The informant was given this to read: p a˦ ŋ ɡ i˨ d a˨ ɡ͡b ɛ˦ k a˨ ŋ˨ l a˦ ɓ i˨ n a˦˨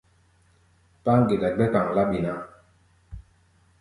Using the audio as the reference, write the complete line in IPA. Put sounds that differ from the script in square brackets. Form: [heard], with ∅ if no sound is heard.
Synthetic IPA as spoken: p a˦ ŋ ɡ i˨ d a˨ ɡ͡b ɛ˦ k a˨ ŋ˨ l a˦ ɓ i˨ n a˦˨